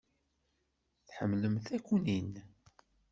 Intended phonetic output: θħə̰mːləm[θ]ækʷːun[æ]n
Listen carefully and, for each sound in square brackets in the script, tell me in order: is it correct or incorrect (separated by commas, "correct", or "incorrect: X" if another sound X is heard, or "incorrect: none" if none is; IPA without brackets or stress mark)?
correct, incorrect: i